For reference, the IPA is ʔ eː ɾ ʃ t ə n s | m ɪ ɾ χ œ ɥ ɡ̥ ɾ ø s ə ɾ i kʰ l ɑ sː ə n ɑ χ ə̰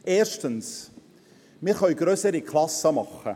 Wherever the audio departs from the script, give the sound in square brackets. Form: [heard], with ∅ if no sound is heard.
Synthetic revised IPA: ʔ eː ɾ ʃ t ə n s | m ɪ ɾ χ œ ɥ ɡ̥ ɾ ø s ə ɾ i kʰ l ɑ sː ə [m] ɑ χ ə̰

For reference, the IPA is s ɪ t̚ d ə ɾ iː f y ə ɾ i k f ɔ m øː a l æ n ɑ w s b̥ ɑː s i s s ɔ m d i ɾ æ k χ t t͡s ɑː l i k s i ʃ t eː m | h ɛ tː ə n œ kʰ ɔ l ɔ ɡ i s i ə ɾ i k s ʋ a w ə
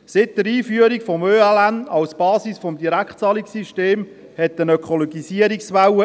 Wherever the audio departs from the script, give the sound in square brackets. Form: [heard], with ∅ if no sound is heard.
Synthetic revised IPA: s ɪ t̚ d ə ɾ iː f y ə ɾ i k f ɔ m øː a l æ n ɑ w s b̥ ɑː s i s [f] ɔ m d i ɾ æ k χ t t͡s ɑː l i k s i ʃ t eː m | h ɛ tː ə n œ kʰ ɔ l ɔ ɡ i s i ə ɾ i k s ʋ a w ə

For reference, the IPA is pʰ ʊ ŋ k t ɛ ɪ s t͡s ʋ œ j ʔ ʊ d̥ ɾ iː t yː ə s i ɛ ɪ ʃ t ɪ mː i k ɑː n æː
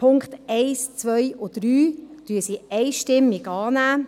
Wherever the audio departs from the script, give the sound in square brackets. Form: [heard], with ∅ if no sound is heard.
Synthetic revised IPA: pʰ ʊ ŋ k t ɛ ɪ s t͡s ʋ œ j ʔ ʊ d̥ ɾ [yː] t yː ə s i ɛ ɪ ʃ t ɪ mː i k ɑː n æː

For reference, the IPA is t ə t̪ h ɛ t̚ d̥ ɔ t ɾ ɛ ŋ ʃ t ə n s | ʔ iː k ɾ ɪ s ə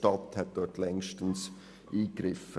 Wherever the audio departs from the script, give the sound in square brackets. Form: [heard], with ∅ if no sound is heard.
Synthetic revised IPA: t [ɑ] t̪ h ɛ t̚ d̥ ɔ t [l] ɛ ŋ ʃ t ə n s | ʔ iː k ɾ ɪ [f] ə

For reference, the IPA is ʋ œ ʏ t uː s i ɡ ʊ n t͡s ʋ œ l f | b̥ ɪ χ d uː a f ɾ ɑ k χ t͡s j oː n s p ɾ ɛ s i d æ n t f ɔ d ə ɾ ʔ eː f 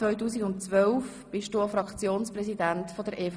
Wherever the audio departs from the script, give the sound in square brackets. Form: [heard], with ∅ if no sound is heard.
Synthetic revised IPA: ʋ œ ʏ t uː s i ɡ ʊ n t͡s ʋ œ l f | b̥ ɪ [ʃ] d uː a f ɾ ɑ k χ t͡s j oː n s p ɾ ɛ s i d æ n t f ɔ d ə ɾ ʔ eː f

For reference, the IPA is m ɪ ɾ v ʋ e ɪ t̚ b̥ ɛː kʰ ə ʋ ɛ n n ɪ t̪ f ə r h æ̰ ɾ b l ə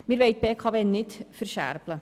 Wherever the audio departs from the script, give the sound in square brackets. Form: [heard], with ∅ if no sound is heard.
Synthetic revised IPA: m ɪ ɾ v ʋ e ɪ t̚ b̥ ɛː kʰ [ɑ] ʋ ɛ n n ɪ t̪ f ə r [ʃ] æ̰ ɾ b l ə

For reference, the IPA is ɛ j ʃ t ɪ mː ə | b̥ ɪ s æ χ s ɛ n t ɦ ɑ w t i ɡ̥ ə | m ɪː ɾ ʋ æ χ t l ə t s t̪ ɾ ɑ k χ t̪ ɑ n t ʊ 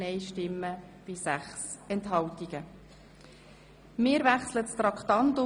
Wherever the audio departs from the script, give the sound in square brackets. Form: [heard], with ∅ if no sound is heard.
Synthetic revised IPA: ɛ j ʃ t ɪ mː ə | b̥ ɪ s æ χ s ɛ n t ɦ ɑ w t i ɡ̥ ə | m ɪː ɾ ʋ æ χ [s] l ə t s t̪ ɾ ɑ k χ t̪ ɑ n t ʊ

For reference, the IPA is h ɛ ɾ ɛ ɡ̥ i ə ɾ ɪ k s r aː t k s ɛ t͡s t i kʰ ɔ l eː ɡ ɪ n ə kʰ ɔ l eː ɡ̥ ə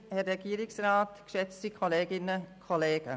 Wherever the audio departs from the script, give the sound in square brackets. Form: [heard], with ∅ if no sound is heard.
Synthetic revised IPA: h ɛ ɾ ɛ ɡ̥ i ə ɾ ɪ k s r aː t k [ʃ] ɛ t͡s t i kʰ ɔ l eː ɡ ɪ n ə kʰ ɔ l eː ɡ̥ ə

